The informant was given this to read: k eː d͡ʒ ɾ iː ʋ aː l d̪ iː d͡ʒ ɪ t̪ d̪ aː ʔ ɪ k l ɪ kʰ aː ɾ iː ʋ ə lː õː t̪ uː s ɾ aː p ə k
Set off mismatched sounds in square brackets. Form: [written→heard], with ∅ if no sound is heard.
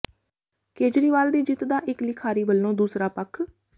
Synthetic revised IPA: k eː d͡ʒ ɾ iː ʋ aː l d̪ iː d͡ʒ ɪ t̪ d̪ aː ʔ ɪ k l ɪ kʰ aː ɾ iː ʋ ə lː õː [t̪→d̪] uː s ɾ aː p ə [k→kʰ]

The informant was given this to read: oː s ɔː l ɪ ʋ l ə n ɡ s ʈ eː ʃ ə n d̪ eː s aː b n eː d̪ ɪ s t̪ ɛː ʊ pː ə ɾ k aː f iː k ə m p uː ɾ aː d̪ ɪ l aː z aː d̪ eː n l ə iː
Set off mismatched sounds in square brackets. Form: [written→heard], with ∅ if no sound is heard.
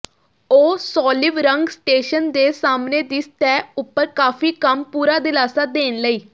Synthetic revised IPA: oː s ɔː l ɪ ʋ [l→ɾ] ə [n→ŋ] ɡ s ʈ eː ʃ ə n d̪ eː s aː [b→m] n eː d̪ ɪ s t̪ ɛː ʊ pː ə ɾ k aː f iː k ə m p uː ɾ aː d̪ ɪ l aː [z→s] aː d̪ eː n l ə iː

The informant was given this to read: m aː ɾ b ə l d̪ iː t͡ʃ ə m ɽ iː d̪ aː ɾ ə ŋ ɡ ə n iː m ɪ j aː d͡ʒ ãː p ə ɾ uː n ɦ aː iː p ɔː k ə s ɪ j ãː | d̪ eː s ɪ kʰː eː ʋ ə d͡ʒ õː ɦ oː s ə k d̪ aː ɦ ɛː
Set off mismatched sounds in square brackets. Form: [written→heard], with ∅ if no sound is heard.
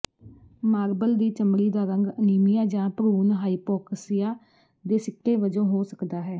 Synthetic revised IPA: m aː ɾ b ə l d̪ iː t͡ʃ ə m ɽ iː d̪ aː ɾ ə ŋ ɡ ə n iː m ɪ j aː d͡ʒ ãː p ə ɾ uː n ɦ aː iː p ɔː k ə s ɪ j [ãː→aː] | d̪ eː s ɪ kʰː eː ʋ ə d͡ʒ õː ɦ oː s ə k d̪ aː ɦ ɛː

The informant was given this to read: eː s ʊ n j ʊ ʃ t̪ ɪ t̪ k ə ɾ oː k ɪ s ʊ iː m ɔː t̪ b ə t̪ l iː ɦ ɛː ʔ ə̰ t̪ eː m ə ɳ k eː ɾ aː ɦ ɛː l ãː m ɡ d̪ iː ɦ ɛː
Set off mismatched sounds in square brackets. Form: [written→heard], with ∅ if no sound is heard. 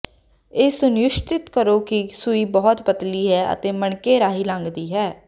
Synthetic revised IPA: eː s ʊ n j ʊ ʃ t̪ ɪ t̪ k ə ɾ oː k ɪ s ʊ iː [m→b] ɔː t̪ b ə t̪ l iː ɦ ɛː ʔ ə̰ t̪ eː m ə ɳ k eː ɾ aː ɦ [ɛː→iː] l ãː [m→ŋ] ɡ d̪ iː ɦ ɛː

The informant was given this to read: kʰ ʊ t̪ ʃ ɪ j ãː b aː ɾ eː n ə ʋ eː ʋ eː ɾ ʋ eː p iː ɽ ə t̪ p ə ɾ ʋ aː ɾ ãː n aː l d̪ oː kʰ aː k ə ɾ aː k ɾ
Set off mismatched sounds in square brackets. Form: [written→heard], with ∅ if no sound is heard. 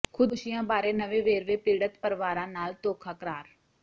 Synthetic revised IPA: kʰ ʊ [t̪→d̪] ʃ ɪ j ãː b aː ɾ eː n ə ʋ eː ʋ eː ɾ ʋ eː p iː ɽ ə t̪ p ə ɾ ʋ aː ɾ ãː n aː l [d̪→t̪] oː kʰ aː k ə ɾ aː [k→∅] ɾ

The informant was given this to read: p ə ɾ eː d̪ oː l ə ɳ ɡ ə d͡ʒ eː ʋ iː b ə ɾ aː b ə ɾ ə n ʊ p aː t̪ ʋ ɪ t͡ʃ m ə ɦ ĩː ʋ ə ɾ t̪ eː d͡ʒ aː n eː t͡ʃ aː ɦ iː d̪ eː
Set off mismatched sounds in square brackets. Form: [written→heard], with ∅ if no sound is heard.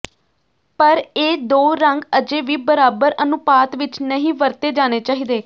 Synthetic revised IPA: p ə ɾ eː d̪ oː [l→ɾ] ə [ɳ→ŋ] ɡ ə d͡ʒ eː ʋ iː b ə ɾ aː b ə ɾ ə n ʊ p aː t̪ ʋ ɪ t͡ʃ [m→n] ə ɦ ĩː ʋ ə ɾ t̪ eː d͡ʒ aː n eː t͡ʃ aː ɦ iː d̪ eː

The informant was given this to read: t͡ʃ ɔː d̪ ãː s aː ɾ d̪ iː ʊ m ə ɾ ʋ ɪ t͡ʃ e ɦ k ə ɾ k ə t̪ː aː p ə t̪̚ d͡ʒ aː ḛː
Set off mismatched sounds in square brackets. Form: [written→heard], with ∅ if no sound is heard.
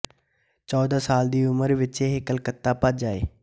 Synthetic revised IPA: t͡ʃ ɔː d̪ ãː s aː [ɾ→l] d̪ iː ʊ m ə ɾ ʋ ɪ t͡ʃ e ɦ k ə [ɾ→l] k ə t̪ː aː p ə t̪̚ d͡ʒ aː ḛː

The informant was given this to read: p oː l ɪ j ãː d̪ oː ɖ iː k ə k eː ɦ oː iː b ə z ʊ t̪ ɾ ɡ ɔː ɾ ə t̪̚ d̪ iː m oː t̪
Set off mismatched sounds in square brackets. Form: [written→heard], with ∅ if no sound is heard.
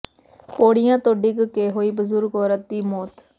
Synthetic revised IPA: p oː [l→ɽ] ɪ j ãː [d̪→t̪] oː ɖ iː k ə k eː ɦ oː iː b ə z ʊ [t̪→∅] ɾ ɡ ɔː ɾ ə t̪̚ d̪ iː m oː t̪

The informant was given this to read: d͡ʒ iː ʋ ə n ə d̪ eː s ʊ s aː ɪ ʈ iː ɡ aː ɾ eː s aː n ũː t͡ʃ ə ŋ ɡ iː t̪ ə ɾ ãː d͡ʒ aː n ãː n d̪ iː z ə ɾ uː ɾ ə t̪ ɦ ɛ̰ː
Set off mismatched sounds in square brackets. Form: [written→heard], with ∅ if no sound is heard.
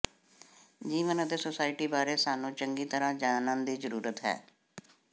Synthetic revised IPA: d͡ʒ iː ʋ ə n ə d̪ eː s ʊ s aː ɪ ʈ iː [ɡ→b] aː ɾ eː s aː n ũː t͡ʃ ə ŋ ɡ iː t̪ ə ɾ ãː d͡ʒ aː n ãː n d̪ iː z ə ɾ uː ɾ ə t̪ ɦ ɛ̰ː

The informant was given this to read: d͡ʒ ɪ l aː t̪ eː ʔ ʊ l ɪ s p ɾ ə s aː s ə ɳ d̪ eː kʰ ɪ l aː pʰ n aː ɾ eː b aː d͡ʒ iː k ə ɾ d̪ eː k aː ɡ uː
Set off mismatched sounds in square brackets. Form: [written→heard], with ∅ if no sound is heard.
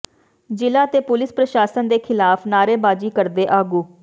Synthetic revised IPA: d͡ʒ ɪ l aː t̪ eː [ʔ→p] ʊ l ɪ s p ɾ ə [s→ʃ] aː s ə [ɳ→n] d̪ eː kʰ ɪ l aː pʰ n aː ɾ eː b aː d͡ʒ iː k ə ɾ d̪ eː [k→ʔ] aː ɡ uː

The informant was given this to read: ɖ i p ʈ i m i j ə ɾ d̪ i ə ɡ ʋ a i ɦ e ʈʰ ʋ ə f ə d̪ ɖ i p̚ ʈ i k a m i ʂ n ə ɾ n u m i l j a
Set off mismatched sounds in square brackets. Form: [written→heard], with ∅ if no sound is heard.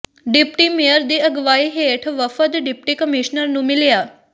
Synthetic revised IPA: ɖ i p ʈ i m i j ə ɾ d̪ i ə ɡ ʋ a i ɦ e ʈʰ ʋ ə f ə d̪ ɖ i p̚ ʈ i k [a→ə] m i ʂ n ə ɾ n u m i l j a

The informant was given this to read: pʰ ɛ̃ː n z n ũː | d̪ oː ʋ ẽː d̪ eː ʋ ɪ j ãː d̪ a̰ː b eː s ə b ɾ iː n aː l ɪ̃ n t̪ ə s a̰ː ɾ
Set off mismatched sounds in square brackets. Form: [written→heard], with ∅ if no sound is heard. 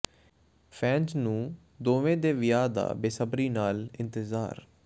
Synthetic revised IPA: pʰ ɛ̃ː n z n ũː | d̪ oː ʋ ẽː d̪ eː ʋ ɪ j [ãː→aː] d̪ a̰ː b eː s ə b ɾ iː n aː l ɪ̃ n t̪ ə [s→z] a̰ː ɾ

